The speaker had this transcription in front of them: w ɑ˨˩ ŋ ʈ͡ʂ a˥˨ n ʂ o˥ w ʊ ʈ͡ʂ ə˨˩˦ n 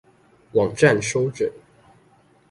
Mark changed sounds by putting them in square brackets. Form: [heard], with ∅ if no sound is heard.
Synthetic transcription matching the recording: w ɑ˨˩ ŋ ʈ͡ʂ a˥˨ n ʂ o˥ [∅] ʊ ʈ͡ʂ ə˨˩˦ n